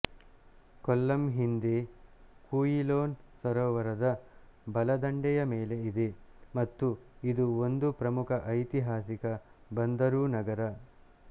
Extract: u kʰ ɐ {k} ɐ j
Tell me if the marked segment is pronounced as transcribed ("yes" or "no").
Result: no